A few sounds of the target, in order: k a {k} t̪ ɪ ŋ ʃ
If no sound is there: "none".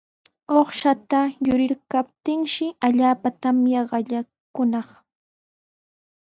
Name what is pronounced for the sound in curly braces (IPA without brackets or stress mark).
p